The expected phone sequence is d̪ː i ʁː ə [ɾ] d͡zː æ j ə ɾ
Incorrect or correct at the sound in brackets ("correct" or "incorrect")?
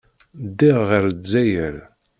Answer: correct